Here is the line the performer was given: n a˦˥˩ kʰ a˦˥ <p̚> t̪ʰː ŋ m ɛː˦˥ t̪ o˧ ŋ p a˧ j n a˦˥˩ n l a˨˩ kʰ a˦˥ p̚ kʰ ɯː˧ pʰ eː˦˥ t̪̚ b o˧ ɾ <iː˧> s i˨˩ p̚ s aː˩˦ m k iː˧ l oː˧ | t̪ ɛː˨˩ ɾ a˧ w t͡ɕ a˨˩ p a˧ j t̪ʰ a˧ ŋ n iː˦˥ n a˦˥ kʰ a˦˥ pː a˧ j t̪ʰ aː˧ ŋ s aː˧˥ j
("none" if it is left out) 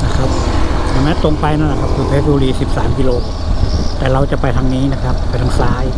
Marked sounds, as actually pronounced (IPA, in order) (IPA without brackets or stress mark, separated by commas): p̚, iː˧